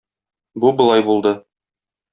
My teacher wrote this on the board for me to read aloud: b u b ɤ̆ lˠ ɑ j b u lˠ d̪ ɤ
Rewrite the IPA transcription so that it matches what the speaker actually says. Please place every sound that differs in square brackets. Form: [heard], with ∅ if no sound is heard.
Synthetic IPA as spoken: b u b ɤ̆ lˠ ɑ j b u lˠ d̪ ɤ